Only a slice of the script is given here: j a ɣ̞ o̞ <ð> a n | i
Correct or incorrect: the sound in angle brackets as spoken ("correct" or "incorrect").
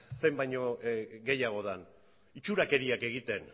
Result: correct